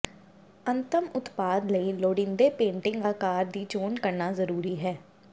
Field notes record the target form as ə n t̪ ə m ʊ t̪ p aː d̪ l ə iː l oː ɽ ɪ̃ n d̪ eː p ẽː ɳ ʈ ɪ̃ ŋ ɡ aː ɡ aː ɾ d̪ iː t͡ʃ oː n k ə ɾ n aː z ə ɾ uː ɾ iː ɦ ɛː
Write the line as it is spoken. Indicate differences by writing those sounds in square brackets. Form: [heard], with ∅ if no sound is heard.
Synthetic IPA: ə n t̪ ə m ʊ t̪ p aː d̪ l ə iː l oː ɽ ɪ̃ n d̪ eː p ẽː ɳ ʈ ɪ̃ ŋ ɡ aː [k] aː ɾ d̪ iː t͡ʃ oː n k ə ɾ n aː z ə ɾ uː ɾ iː ɦ ɛː